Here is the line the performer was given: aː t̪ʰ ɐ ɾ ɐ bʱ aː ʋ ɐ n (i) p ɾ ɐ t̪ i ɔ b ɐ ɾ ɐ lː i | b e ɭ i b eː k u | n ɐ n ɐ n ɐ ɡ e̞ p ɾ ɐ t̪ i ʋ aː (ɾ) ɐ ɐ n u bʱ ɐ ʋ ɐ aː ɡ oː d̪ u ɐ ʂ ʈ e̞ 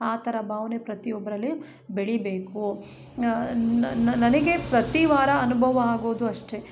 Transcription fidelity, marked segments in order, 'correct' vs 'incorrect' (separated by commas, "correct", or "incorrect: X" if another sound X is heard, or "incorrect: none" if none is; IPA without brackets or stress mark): incorrect: e, correct